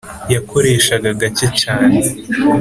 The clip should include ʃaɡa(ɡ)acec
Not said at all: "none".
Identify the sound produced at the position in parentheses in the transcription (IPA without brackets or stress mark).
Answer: ɡ